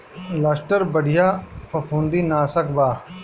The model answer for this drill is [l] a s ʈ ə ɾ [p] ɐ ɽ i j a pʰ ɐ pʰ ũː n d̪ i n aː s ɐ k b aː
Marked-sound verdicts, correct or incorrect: correct, incorrect: b

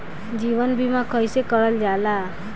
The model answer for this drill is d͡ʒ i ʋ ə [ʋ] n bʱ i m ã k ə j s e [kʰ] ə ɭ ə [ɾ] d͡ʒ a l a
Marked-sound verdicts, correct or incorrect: incorrect: none, incorrect: k, incorrect: l

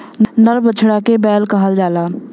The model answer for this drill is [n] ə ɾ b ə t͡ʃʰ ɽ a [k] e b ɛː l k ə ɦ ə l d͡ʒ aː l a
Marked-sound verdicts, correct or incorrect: correct, correct

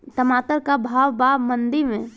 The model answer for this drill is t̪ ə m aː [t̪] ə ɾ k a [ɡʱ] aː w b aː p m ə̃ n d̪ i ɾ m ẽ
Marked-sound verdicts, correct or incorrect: correct, incorrect: bʱ

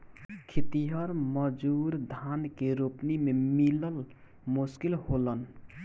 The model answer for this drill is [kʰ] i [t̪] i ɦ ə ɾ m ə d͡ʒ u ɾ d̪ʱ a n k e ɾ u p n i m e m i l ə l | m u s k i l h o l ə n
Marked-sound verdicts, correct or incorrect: correct, correct

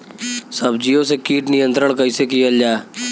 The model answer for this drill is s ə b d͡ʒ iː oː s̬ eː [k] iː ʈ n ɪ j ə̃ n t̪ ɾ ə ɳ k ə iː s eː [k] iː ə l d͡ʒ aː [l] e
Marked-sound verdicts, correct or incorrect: correct, correct, incorrect: none

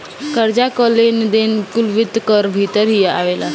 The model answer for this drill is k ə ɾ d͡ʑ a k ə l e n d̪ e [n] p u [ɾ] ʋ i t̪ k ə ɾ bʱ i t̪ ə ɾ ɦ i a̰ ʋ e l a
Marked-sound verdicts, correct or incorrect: correct, incorrect: l

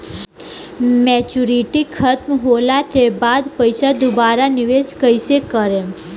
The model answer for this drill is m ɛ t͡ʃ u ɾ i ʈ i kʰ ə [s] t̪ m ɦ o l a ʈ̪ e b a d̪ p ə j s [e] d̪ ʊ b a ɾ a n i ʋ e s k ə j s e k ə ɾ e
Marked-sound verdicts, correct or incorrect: incorrect: none, incorrect: a

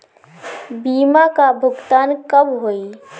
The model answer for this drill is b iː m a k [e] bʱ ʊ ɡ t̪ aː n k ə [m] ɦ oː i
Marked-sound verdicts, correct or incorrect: incorrect: a, incorrect: b

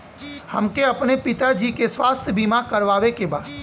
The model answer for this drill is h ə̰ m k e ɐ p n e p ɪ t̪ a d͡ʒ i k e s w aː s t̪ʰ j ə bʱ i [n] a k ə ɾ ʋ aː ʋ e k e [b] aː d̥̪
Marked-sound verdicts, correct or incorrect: incorrect: m, correct

